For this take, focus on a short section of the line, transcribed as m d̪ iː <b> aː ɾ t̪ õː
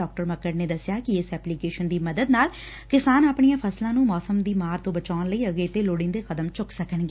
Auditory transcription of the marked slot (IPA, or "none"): m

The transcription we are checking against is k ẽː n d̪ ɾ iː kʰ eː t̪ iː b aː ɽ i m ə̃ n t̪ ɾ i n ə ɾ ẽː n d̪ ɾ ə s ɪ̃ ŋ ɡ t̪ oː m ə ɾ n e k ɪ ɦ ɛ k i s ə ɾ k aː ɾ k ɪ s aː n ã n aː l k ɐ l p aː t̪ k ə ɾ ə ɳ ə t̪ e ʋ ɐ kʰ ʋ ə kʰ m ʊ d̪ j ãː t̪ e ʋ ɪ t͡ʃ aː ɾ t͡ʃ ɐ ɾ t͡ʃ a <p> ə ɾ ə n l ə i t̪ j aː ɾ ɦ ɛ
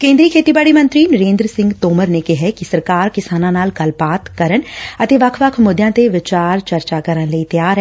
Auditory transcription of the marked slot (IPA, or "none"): k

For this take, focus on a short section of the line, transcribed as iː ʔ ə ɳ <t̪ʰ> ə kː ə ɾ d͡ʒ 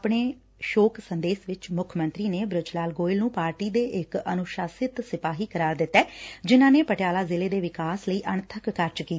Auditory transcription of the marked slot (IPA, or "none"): t̪ʰ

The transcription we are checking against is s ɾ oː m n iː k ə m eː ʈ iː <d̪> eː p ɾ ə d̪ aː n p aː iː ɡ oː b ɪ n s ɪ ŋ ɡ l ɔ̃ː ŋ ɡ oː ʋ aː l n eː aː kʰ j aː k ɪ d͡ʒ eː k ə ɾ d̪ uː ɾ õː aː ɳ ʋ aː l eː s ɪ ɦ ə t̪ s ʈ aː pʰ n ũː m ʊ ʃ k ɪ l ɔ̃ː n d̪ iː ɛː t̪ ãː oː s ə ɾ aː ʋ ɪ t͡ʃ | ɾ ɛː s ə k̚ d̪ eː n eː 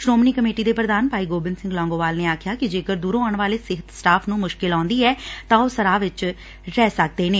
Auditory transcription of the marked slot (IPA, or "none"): d̪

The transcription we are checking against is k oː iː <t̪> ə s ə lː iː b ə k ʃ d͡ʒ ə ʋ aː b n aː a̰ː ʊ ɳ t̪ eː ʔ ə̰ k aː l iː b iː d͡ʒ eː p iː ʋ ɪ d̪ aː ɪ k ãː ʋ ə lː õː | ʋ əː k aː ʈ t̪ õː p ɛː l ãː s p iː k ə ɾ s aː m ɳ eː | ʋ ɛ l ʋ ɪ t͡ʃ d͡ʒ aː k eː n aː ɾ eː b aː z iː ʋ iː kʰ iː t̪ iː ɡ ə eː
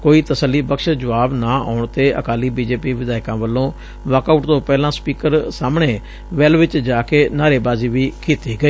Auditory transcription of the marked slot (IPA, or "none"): t̪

